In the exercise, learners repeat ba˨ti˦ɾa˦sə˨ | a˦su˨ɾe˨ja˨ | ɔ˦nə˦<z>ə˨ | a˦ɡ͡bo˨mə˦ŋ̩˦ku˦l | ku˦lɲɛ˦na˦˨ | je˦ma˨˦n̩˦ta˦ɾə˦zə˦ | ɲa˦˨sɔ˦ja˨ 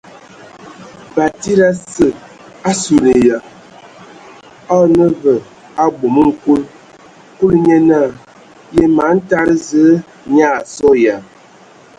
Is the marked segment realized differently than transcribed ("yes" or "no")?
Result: yes